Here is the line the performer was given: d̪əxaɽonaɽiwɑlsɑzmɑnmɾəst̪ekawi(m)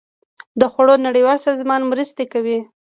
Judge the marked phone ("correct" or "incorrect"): incorrect